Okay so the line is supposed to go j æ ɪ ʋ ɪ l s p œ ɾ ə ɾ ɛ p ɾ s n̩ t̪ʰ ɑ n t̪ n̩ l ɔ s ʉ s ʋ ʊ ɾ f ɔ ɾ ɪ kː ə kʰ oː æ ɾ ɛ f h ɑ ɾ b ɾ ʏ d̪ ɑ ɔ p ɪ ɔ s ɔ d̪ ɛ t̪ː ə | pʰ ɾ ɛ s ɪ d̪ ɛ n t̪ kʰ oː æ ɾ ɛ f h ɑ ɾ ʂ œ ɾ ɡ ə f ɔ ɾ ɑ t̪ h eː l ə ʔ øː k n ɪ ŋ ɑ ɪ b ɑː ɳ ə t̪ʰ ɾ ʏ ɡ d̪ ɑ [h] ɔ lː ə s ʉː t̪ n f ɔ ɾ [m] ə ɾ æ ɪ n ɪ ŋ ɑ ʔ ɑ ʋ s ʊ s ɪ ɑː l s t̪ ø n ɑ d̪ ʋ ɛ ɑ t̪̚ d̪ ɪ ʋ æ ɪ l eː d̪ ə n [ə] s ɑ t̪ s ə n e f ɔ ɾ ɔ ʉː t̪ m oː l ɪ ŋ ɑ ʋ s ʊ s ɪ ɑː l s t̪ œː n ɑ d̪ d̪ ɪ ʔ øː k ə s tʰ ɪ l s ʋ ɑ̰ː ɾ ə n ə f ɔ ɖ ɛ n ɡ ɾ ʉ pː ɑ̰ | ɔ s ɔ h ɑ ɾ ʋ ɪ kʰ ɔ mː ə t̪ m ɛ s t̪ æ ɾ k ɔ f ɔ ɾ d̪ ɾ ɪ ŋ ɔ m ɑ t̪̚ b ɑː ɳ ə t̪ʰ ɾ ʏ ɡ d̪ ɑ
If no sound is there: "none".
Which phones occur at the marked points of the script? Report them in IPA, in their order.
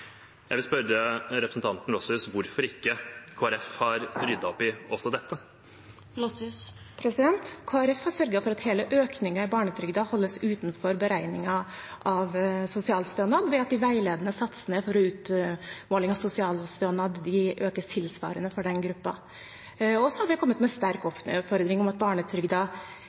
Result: h, b, ə

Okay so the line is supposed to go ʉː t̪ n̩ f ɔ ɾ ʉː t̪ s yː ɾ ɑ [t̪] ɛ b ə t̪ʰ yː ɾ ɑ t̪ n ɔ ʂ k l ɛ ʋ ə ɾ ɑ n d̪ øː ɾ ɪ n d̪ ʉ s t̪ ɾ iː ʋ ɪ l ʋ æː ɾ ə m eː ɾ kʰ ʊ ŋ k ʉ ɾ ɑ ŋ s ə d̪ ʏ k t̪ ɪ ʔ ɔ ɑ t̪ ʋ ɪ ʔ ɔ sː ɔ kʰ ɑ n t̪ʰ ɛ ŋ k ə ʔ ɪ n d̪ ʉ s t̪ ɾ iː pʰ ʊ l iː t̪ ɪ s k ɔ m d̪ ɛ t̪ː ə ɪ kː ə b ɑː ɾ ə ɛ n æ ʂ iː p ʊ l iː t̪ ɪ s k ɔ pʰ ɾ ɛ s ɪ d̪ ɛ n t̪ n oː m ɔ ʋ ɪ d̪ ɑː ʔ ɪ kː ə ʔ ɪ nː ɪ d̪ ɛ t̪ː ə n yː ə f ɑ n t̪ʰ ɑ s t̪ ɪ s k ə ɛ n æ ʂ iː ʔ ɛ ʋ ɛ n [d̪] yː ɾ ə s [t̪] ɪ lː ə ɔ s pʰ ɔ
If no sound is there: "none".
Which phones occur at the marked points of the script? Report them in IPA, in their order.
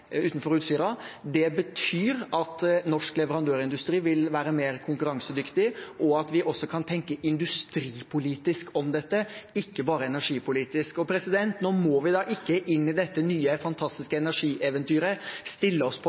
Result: d̪, t̪, t̪

